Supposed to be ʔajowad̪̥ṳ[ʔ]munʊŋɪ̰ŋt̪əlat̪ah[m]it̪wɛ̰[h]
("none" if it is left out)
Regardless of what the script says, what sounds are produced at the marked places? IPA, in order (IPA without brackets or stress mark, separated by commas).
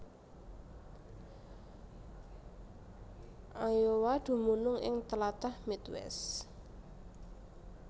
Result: none, m, s